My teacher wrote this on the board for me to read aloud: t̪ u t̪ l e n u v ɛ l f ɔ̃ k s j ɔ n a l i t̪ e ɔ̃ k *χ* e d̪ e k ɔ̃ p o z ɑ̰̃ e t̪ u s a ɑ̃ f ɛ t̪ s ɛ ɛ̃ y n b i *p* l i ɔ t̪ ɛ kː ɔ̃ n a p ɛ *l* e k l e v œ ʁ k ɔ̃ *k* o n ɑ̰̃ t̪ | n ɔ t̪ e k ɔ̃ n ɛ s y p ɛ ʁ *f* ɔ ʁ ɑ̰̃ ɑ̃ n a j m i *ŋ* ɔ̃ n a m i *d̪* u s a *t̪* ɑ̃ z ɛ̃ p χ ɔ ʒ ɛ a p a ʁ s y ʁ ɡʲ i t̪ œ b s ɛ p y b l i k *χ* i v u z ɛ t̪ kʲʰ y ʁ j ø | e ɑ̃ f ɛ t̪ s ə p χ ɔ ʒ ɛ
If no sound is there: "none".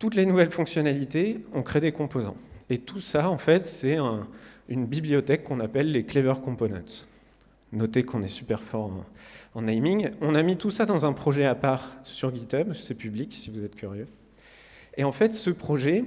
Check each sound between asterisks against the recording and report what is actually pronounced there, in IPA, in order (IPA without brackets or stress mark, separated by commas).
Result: χ, b, lː, p, f, ŋ, t̪, d̪, s